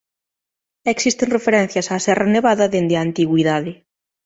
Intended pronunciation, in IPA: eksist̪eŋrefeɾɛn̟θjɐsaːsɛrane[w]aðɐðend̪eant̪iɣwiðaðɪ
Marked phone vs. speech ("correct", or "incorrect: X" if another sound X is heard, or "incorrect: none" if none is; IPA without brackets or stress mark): incorrect: β